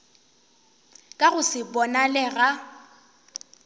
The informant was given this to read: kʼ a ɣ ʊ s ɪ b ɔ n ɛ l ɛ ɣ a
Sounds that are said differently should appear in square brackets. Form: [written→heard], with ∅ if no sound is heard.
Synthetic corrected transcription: kʼ a ɣ ʊ s ɪ b ɔ n [ɛ→a] l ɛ ɣ a